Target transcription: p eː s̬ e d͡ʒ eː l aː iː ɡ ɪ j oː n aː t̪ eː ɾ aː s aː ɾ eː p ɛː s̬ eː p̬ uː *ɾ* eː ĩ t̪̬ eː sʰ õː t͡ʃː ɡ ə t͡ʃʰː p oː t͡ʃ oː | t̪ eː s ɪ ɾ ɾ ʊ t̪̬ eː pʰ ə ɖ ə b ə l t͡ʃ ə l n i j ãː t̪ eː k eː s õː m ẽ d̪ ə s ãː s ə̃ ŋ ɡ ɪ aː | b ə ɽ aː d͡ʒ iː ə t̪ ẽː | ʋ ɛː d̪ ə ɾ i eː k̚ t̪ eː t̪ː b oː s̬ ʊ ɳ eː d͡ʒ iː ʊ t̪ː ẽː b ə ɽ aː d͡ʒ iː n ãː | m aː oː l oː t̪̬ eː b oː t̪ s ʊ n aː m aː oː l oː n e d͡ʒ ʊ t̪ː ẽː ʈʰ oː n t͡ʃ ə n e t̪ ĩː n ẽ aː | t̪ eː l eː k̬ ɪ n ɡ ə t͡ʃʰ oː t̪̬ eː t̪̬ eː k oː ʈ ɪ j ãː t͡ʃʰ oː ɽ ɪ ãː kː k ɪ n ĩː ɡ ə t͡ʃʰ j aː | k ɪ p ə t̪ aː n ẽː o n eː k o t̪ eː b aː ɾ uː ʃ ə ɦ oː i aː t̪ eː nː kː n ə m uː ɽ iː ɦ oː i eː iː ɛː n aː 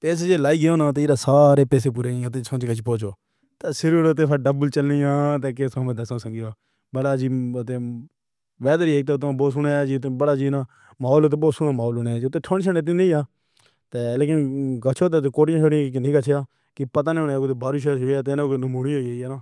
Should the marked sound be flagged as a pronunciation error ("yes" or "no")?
no